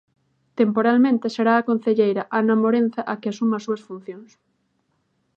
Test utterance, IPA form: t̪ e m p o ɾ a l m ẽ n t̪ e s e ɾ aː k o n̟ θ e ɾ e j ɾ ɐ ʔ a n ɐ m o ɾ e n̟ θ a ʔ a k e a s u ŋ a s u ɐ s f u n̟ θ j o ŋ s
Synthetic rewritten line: t̪ e m p o ɾ a l m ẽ n t̪ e s e ɾ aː k o n̟ θ e ʎ e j ɾ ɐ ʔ a n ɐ m o ɾ e n̟ θ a ʔ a k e a s u m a s u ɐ s f u n̟ θ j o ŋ s